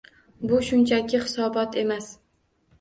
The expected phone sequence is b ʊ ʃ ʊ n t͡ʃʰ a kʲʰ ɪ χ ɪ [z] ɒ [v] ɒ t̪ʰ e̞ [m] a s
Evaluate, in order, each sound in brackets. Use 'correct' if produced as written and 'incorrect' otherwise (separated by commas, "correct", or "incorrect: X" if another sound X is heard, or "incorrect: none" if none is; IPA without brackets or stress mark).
incorrect: s, incorrect: b, correct